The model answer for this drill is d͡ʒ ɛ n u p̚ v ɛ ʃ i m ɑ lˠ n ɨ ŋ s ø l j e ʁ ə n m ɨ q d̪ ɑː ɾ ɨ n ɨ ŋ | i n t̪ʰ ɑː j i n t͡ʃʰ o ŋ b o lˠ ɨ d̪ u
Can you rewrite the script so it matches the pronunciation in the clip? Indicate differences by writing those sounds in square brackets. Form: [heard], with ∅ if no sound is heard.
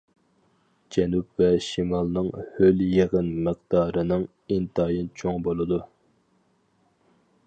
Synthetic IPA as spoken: d͡ʒ ɛ n u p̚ v ɛ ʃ i m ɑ lˠ n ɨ ŋ [h] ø l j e ʁ ə n m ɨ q d̪ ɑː ɾ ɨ n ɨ ŋ | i n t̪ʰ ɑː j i n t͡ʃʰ o ŋ b o lˠ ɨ d̪ u